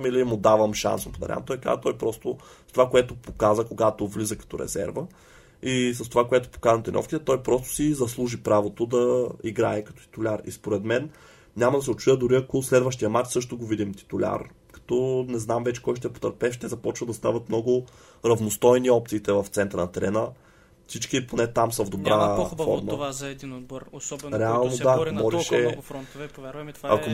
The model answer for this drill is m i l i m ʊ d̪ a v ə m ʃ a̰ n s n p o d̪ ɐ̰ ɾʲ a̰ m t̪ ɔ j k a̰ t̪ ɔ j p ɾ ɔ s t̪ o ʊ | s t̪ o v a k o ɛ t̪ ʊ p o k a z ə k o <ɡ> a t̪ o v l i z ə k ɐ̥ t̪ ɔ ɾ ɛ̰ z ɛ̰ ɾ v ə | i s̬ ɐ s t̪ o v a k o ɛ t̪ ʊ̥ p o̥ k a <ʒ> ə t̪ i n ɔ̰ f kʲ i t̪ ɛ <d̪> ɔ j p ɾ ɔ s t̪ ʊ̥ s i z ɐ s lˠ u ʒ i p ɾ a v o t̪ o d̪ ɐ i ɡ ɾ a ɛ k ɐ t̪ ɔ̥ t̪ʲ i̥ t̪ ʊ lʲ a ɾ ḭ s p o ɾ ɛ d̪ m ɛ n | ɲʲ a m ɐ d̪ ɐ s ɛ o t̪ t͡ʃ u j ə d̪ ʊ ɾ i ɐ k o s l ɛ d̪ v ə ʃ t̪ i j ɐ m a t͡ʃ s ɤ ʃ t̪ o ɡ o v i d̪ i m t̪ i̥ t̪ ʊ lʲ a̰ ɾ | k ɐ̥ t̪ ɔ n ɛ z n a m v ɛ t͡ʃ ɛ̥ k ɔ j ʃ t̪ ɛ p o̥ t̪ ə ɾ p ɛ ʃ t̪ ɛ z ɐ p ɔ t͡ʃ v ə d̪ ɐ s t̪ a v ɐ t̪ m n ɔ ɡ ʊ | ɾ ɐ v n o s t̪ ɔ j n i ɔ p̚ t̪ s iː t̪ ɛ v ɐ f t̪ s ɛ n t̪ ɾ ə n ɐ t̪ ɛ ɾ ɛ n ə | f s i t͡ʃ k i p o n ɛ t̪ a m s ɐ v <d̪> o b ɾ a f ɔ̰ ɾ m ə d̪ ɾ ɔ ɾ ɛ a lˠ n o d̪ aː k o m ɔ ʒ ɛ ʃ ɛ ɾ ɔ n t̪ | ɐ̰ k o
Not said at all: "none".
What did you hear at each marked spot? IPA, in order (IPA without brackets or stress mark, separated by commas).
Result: ɡ, z, t̪, d̪